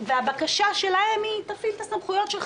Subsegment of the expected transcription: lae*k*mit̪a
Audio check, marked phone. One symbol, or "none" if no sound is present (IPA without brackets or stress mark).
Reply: none